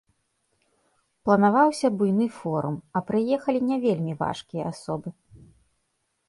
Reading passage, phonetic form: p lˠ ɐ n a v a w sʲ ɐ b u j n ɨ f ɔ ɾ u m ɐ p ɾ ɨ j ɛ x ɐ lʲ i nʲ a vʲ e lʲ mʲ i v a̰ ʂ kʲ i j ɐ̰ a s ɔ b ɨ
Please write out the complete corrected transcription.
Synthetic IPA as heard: p lˠ ɐ n a v a w sʲ ɐ b u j n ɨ f ɔ ɾ u m ɐ p ɾ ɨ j ɛ x ɐ lʲ i nʲ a vʲ e lʲ mʲ i v a̰ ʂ kʲ i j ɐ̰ a s ɔ b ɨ